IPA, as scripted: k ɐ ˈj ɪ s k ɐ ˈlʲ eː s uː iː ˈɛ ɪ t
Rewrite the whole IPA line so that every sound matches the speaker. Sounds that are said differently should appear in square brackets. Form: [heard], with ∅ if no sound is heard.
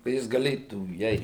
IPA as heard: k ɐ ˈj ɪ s [ɡ] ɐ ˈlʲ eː [t] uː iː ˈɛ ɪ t